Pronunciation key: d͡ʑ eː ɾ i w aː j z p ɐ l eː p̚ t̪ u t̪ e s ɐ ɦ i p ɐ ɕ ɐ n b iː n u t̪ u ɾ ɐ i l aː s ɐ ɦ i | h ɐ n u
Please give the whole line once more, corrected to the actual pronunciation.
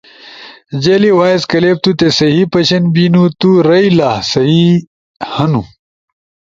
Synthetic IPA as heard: d͡ʑ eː l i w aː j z k ɐ l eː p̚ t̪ u t̪ e s ɐ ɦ i p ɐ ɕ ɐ n b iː n u t̪ u ɾ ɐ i l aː s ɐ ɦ i | h ɐ n u